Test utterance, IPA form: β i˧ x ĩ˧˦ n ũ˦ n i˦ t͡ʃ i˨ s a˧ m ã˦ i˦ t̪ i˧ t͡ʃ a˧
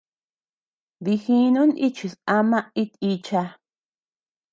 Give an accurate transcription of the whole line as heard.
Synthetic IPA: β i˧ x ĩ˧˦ n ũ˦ n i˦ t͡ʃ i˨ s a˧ m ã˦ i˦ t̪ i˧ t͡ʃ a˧